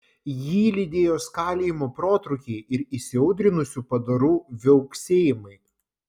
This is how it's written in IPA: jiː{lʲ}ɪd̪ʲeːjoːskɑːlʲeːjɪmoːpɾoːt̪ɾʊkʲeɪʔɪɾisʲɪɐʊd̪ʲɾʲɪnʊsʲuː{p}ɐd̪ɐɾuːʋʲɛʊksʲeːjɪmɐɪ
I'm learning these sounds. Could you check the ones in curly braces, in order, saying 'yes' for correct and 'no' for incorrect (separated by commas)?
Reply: yes, yes